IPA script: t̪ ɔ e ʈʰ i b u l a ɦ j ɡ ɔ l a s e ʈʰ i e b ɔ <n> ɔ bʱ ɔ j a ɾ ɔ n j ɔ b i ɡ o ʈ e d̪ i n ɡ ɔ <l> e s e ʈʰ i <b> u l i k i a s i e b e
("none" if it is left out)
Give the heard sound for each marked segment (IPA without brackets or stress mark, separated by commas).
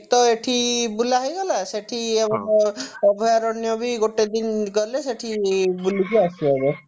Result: ŋ, l, b